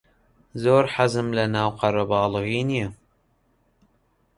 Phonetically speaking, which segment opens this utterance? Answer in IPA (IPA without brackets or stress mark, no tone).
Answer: z